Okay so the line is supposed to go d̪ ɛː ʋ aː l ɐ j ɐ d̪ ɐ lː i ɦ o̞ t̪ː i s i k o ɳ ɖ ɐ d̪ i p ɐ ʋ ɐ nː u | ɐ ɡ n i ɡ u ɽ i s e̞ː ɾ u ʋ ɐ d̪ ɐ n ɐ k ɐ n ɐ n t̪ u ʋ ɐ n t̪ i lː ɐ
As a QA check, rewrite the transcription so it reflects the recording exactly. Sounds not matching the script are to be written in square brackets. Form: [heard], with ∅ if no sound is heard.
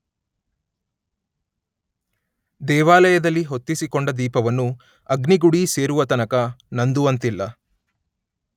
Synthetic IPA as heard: d̪ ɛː ʋ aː l ɐ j ɐ d̪ ɐ lː i ɦ o̞ t̪ː i s i k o ɳ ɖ ɐ d̪ [iː] p ɐ ʋ ɐ nː u | ɐ ɡ n i ɡ u ɽ i s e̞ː ɾ u ʋ ɐ [t̪] ɐ n ɐ k ɐ n ɐ n [d̪] u ʋ ɐ n t̪ i lː ɐ

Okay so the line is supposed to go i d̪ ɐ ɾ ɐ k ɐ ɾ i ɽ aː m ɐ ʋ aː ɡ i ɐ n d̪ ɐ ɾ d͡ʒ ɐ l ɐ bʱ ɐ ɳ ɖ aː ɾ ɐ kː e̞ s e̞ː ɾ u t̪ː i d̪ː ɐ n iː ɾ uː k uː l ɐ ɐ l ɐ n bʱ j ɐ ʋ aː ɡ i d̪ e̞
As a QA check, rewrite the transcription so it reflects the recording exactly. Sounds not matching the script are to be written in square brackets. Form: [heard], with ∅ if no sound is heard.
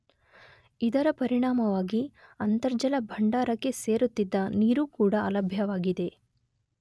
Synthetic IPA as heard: i d̪ ɐ ɾ ɐ [p] ɐ ɾ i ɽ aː m ɐ ʋ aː ɡ i ɐ n [t̪] ɐ ɾ d͡ʒ ɐ l ɐ bʱ ɐ ɳ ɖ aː ɾ ɐ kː e̞ s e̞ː ɾ u t̪ː i d̪ː ɐ n iː ɾ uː k uː [ɽ] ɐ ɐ l ɐ [∅] bʱ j ɐ ʋ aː ɡ i d̪ e̞

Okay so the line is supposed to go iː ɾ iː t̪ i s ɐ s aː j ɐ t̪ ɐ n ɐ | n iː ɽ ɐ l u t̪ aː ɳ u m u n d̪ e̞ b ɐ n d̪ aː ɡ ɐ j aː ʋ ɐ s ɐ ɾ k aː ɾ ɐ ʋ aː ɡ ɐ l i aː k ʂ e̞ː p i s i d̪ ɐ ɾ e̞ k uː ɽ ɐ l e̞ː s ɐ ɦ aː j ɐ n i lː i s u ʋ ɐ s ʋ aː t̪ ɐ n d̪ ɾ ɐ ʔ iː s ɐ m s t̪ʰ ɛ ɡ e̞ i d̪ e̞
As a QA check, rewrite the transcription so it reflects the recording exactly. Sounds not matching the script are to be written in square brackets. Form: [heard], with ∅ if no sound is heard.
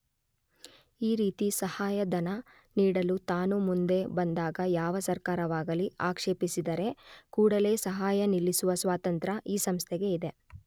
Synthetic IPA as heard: iː ɾ iː t̪ i s ɐ [h] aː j ɐ [d̪] ɐ n ɐ | n iː ɽ ɐ l u t̪ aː [n] u m u n d̪ e̞ b ɐ n d̪ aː ɡ ɐ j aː ʋ ɐ s ɐ ɾ k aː ɾ ɐ ʋ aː ɡ ɐ l i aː k ʂ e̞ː p i s i d̪ ɐ ɾ e̞ k uː ɽ ɐ l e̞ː s ɐ ɦ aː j ɐ n i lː i s u ʋ ɐ s ʋ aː t̪ ɐ n [t̪] ɾ ɐ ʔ iː s ɐ m s t̪ʰ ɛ ɡ e̞ i d̪ e̞

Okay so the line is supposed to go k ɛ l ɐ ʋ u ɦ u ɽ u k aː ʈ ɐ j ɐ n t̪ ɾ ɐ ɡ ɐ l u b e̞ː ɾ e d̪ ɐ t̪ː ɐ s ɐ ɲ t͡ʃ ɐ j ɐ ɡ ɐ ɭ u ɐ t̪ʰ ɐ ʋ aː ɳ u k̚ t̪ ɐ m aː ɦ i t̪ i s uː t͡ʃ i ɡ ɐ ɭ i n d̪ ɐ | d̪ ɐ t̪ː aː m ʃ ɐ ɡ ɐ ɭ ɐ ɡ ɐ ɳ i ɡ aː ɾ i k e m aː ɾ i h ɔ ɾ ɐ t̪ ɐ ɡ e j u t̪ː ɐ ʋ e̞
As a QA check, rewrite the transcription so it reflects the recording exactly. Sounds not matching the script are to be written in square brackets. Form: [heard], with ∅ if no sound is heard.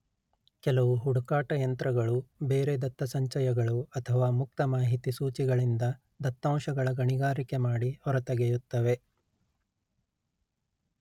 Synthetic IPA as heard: k ɛ l ɐ ʋ u ɦ u ɽ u k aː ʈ ɐ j ɐ n t̪ ɾ ɐ ɡ ɐ [ɭ] u b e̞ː ɾ e d̪ ɐ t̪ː ɐ s ɐ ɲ t͡ʃ ɐ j ɐ ɡ ɐ ɭ u ɐ t̪ʰ ɐ ʋ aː [m] u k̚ t̪ ɐ m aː ɦ i t̪ i s uː t͡ʃ i ɡ ɐ ɭ i n d̪ ɐ | d̪ ɐ t̪ː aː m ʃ ɐ ɡ ɐ ɭ ɐ ɡ ɐ ɳ i ɡ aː ɾ i k e m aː [ɽ] i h ɔ ɾ ɐ t̪ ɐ ɡ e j u t̪ː ɐ ʋ e̞

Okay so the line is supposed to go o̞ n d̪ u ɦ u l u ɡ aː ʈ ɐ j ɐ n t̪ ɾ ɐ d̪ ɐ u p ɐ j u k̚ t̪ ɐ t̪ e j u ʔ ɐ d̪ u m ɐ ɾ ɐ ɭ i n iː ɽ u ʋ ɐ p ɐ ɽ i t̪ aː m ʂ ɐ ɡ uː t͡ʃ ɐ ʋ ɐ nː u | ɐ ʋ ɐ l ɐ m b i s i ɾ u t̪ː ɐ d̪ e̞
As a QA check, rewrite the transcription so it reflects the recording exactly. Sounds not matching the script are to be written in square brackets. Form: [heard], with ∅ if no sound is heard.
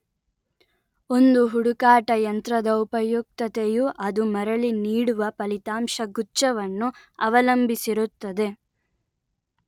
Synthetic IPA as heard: o̞ n d̪ u ɦ u [ɽ] u [k] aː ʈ ɐ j ɐ n t̪ ɾ ɐ d̪ ɐ u p ɐ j u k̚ t̪ ɐ t̪ e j u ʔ ɐ d̪ u m ɐ ɾ ɐ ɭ i n iː ɽ u ʋ ɐ p ɐ [l] i t̪ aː m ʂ ɐ ɡ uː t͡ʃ ɐ ʋ ɐ nː u | ɐ ʋ ɐ l ɐ m b i s i ɾ u t̪ː ɐ d̪ e̞

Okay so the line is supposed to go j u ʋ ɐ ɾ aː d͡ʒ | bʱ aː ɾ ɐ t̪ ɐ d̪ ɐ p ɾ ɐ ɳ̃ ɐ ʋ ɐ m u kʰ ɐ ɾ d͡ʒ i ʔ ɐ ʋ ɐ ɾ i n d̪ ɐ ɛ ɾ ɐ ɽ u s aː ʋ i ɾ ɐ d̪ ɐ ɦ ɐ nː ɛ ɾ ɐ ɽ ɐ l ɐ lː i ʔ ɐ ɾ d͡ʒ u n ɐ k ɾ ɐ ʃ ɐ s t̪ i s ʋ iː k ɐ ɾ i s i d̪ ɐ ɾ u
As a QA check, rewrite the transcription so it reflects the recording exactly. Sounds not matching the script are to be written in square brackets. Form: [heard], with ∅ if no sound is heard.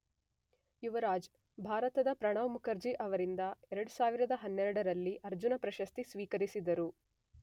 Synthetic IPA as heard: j u ʋ ɐ ɾ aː d͡ʒ | bʱ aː ɾ ɐ t̪ ɐ d̪ ɐ p ɾ ɐ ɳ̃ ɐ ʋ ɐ m u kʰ ɐ ɾ d͡ʒ i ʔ ɐ ʋ ɐ ɾ i n d̪ ɐ ɛ ɾ ɐ ɽ u s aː ʋ i ɾ ɐ d̪ ɐ ɦ ɐ nː ɛ ɾ ɐ ɽ ɐ [ɾ] ɐ lː i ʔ ɐ ɾ d͡ʒ u n ɐ [p] ɾ ɐ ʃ ɐ s t̪ i s ʋ iː k ɐ ɾ i s i d̪ ɐ ɾ u

